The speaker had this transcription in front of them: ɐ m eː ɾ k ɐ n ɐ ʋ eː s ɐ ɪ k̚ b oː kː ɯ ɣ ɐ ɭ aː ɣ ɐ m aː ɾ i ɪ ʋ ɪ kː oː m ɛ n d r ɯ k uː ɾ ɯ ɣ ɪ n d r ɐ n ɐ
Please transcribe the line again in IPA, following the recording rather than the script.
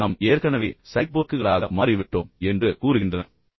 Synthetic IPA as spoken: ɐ m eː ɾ k ɐ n ɐ ʋ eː s ɐ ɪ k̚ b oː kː ɯ ɣ ɐ ɭ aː ɣ ɐ m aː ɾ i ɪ ʋ ɪ ʈː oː m ɛ n d r ɯ k uː ɾ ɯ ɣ ɪ n d r ɐ n ɐ

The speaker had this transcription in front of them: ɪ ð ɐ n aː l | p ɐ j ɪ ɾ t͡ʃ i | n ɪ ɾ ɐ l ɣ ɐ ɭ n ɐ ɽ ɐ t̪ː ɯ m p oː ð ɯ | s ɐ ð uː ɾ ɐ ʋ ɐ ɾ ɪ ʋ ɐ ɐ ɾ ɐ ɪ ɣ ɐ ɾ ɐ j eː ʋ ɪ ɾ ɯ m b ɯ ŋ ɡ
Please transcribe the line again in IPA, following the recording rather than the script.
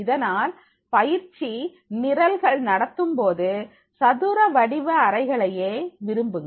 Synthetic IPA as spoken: ɪ ð ɐ n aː l | p ɐ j ɪ ɾ t͡ʃ i | n ɪ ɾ ɐ l ɣ ɐ ɭ n ɐ ɽ ɐ t̪ː ɯ m p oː ð ɯ | s ɐ ð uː ɾ ɐ ʋ ɐ ɽ ɪ ʋ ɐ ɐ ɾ ɐ ɪ ɣ ɐ ɭ ɐ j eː ʋ ɪ ɾ ɯ m b ɯ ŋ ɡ

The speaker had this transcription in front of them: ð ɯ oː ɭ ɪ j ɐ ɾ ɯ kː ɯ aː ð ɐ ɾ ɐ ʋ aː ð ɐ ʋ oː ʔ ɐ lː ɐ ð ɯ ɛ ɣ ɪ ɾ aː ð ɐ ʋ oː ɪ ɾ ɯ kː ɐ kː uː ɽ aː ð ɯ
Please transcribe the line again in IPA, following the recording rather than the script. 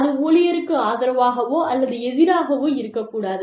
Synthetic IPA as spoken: ð ɯ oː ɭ ɪ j ɐ ɾ ɯ kː ɯ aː ð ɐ ɾ ɐ ʋ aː ɣ ɐ ʋ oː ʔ ɐ lː ɐ ð ɯ ɛ ð ɪ ɾ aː ɣ ɐ ʋ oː ɪ ɾ ɯ kː ɐ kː uː ɽ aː ð ɯ

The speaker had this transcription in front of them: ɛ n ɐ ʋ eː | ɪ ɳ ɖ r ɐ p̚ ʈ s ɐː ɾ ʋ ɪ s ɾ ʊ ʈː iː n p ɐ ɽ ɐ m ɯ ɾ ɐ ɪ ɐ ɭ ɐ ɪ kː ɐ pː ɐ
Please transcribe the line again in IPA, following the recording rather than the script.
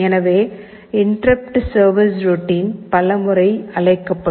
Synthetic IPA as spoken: ɛ n ɐ ʋ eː | ɪ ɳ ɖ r ɐ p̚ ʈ s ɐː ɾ ʋ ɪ s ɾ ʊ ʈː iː n p ɐ l ɐ m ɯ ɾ ɐ ɪ ɐ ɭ ɐ ɪ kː ɐ pː ɐ

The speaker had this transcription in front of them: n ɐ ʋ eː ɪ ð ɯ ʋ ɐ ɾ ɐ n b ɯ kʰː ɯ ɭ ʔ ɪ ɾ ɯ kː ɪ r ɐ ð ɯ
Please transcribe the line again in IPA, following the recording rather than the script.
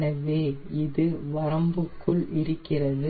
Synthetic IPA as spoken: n ɐ ʋ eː ɪ ð ɯ ʋ ɐ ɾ ɐ m b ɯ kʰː ɯ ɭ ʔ ɪ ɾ ɯ kː ɪ r ɐ ð ɯ

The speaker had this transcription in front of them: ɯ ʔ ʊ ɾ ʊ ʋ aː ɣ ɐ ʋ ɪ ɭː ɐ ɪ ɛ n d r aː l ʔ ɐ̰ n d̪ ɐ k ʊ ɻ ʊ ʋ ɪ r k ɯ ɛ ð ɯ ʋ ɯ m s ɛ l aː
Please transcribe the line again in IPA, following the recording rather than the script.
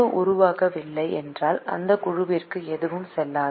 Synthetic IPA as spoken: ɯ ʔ ʊ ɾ ʊ ʋ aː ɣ ɐ ʋ ɪ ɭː ɐ ɪ ɛ n d r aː l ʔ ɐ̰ n d̪ ɐ k ʊ ɻ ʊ ʋ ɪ r k ɯ ɛ ð ɯ ʋ ɯ m s ɛ lː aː

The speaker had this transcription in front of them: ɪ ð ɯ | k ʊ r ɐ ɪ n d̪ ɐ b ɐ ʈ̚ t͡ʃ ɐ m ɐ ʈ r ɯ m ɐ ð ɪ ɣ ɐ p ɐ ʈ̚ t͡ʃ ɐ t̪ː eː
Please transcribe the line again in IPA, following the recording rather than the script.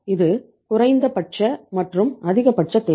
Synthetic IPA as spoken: ɪ ð ɯ | k ʊ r ɐ ɪ n d̪ ɐ p ɐ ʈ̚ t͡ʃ ɐ m ɐ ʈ r ɯ m ɐ ð ɪ ɣ ɐ p ɐ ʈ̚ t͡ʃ ɐ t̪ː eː

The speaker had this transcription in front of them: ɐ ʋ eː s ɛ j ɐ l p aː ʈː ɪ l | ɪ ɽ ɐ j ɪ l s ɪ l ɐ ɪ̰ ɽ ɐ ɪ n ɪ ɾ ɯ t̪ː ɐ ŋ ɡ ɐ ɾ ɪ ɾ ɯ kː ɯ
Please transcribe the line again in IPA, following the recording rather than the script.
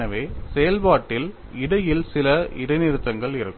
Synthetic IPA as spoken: ɐ ʋ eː s ɛ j ɐ l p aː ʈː ɪ l | ɪ ɽ ɐ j ɪ l s ɪ l ɐ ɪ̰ ɽ ɐ ɪ n ɪ ɾ ɯ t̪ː ɐ ŋ ɡ ɐ ɭ ɪ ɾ ɯ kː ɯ

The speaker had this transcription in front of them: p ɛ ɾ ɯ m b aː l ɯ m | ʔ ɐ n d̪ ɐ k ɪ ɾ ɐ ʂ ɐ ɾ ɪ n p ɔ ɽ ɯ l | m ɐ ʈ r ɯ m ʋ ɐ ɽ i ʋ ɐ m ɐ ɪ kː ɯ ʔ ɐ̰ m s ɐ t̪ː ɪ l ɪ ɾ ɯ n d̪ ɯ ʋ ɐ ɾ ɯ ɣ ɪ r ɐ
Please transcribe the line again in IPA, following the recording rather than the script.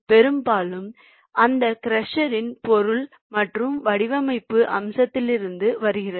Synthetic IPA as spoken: p ɛ ɾ ɯ m b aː l ɯ m | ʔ ɐ n d̪ ɐ k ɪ ɾ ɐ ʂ ɐ ɾ ɪ n p ɔ ɾ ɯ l | m ɐ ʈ r ɯ m ʋ ɐ ɽ ɪ ʋ ɐ m ɐ ɪ pː ɯ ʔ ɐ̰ m s ɐ t̪ː ɪ l ɪ ɾ ɯ n d̪ ɯ ʋ ɐ ɾ ɯ ɣ ɪ r ɐ

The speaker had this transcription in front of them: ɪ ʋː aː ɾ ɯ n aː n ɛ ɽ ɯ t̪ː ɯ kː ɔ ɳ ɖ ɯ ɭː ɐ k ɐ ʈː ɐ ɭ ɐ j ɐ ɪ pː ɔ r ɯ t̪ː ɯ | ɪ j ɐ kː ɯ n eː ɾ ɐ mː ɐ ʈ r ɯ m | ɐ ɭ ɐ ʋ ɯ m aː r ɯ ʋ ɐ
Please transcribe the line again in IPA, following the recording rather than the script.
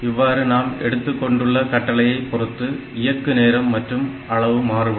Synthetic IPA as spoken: ɪ ʋː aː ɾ ɯ n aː m ɛ ɽ ɯ t̪ː ɯ kː ɔ ɳ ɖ ɯ ɭː ɐ k ɐ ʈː ɐ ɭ ɐ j ɐ ɪ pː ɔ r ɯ t̪ː ɯ | ɪ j ɐ kː ɯ n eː ɾ ɐ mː ɐ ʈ r ɯ m | ɐ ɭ ɐ ʋ ɯ m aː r ɯ ʋ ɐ

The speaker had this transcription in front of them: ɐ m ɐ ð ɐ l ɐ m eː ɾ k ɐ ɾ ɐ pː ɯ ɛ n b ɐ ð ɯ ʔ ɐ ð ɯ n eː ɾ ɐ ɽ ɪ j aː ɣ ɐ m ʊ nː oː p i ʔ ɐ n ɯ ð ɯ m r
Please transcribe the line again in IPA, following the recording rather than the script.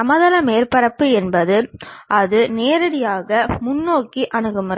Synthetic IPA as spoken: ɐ m ɐ ð ɐ l ɐ m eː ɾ p ɐ ɾ ɐ pː ɯ ɛ n b ɐ ð ɯ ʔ ɐ ð ɯ n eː ɾ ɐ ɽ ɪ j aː ɣ ɐ m ʊ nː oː k i ʔ ɐ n ɯ ɣ ɯ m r

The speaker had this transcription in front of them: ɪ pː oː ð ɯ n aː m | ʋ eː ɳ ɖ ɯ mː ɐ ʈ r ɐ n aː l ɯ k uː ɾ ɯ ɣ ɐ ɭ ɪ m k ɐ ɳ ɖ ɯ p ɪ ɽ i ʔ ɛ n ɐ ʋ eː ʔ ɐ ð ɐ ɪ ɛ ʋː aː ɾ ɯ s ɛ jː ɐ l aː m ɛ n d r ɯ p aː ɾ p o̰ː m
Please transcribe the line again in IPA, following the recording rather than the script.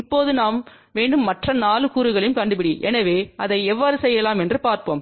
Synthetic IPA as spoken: ɪ pː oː ð ɯ n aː m | ʋ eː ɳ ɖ ɯ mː ɐ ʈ r ɐ n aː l ɯ k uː ɾ ɯ ɣ ɐ ɭ ɪ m k ɐ ɳ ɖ ɯ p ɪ ɽ i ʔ ɛ n ɐ ʋ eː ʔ ɐ ð ɐ ɪ ɛ ʋː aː ɾ ɯ s ɛ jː ɐ l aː m ɛ n d r ɯ p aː ɾ p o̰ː m

